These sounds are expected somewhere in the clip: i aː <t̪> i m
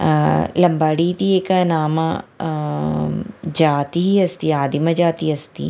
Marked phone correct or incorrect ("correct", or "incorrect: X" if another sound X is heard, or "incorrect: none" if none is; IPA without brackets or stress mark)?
incorrect: d̪